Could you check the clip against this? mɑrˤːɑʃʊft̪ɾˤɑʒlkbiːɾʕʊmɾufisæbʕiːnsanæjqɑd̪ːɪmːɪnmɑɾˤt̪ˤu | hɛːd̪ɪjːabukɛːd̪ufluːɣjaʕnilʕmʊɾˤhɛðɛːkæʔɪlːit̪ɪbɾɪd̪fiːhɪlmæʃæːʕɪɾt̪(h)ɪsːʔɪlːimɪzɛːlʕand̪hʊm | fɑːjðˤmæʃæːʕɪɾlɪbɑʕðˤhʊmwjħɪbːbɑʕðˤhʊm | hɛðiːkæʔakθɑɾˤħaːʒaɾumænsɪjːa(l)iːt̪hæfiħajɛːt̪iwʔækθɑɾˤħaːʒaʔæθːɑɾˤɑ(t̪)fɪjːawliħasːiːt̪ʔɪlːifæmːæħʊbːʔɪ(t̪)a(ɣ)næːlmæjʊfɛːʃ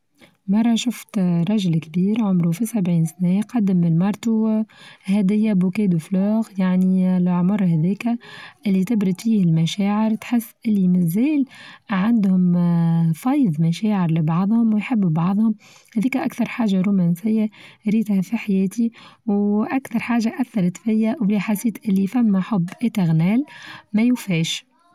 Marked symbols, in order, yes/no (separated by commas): no, no, yes, yes, yes